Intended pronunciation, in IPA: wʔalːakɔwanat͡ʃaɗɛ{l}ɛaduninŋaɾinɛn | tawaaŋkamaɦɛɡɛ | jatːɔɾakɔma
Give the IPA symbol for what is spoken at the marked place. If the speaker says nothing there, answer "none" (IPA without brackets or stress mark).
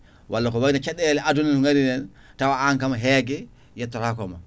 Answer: l